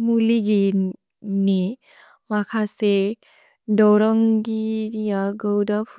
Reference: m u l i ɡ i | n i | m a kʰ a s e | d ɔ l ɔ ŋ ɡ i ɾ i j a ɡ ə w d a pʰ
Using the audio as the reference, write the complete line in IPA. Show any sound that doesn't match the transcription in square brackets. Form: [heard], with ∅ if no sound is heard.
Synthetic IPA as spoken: m u l i ɡ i | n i | m a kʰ a s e | d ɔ [ɾ] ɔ ŋ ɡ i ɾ i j a ɡ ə w d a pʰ